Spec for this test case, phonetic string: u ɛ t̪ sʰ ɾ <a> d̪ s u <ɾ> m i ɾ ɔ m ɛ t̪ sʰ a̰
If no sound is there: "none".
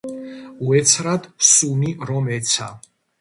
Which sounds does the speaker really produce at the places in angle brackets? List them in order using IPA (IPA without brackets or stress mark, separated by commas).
a, none